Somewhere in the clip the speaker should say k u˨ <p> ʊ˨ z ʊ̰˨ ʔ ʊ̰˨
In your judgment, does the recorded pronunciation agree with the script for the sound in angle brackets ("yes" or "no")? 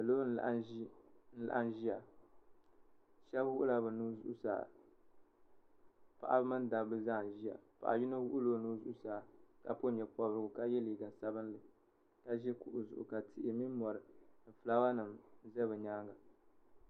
no